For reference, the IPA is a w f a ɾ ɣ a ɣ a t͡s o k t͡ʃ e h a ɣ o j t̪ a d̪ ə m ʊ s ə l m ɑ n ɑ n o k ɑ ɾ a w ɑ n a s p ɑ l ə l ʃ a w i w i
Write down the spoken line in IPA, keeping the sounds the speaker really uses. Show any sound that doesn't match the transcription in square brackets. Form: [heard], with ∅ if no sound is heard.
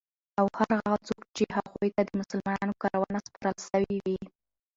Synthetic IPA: a w [h] a ɾ ɣ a ɣ a t͡s o k t͡ʃ e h a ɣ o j t̪ a d̪ ə m ʊ s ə l m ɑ n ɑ n o k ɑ ɾ a w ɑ n a s p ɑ [ɾ] ə l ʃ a w i w i